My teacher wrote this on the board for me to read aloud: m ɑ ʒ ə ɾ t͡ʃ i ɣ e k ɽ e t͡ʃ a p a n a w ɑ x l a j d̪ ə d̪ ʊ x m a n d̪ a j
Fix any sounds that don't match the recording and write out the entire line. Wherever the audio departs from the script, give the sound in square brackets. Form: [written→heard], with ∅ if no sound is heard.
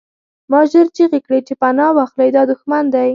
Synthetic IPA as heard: m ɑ ʒ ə ɾ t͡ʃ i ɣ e k ɽ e t͡ʃ [a→e] p a n [a→ɑ] w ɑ x l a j d̪ [ə→ɑ] d̪ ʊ x m a n d̪ a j

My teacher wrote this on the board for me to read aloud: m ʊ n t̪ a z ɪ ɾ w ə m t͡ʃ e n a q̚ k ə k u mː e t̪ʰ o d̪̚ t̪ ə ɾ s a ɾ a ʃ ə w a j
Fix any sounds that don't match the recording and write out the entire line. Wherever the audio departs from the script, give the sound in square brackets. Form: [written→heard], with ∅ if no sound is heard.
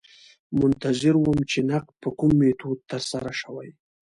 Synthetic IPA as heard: m ʊ n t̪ a z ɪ ɾ w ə m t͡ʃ e n a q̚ [k→p] ə k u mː e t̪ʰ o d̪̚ t̪ ə ɾ s a ɾ a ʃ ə w a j

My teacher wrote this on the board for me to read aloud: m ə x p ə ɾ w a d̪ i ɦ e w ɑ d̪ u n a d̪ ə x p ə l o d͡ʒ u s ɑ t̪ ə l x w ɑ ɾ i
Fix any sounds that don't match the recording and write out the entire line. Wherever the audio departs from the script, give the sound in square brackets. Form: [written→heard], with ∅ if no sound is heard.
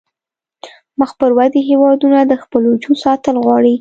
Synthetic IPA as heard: m ə x p ə ɾ w a d̪ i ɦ e w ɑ d̪ u n a d̪ ə x p ə l o d͡ʒ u s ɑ t̪ ə l [x→ɣ] w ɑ [ɾ→ɽ] i

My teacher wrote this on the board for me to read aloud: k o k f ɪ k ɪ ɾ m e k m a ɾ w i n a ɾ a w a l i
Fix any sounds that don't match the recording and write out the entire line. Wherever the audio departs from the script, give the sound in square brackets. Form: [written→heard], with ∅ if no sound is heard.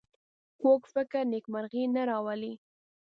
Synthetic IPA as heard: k o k f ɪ k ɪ ɾ [m→n] e k m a ɾ [w→ɣ] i n a ɾ [a→ɑ] w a l i

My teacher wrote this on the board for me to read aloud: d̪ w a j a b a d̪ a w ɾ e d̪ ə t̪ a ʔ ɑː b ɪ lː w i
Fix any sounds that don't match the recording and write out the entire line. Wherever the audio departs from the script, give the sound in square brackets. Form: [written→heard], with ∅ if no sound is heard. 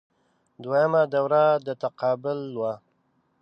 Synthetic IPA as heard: d̪ w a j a [b→m] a d̪ a w ɾ [e→a] d̪ ə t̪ a [ʔ→q] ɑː b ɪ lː w [i→a]

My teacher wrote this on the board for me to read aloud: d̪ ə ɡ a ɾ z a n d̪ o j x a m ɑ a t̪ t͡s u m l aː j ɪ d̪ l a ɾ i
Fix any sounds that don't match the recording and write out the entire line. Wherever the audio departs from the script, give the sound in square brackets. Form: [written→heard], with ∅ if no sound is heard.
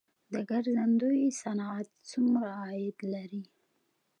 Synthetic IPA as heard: d̪ ə ɡ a ɾ z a n d̪ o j [x→s] a [m→n] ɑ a t̪ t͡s u m [l→ɾ] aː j ɪ d̪ l a ɾ i

